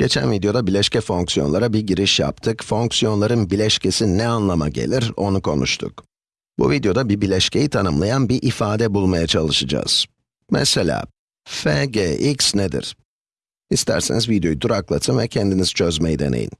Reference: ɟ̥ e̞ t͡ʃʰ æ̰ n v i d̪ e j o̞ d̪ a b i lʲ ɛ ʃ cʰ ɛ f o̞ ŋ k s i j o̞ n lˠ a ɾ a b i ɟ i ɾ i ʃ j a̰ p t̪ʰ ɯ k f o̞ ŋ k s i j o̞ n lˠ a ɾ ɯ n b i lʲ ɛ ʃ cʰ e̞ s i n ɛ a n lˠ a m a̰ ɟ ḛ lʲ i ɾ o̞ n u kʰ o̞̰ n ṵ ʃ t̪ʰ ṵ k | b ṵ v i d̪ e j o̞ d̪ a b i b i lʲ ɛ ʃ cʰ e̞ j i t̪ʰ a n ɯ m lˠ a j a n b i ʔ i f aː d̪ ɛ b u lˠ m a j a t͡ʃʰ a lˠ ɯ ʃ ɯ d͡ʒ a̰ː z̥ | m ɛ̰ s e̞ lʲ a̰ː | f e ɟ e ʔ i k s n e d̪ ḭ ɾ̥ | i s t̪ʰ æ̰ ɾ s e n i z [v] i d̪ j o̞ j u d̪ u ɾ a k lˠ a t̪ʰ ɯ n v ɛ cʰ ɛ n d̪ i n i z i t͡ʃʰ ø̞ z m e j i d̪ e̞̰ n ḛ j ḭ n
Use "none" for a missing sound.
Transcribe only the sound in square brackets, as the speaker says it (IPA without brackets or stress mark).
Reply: v